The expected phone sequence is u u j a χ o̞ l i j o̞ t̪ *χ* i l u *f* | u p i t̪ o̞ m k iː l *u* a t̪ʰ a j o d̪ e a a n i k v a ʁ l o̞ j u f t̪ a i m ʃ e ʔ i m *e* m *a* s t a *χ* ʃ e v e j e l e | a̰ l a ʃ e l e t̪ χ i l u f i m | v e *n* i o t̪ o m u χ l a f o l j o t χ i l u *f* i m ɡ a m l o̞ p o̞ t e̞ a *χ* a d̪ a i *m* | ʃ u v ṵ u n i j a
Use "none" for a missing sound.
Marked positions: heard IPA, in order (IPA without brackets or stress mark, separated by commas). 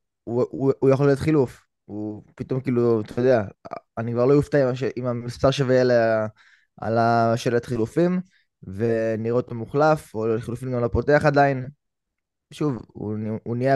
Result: χ, f, u, a, i, ʁ, n, f, χ, n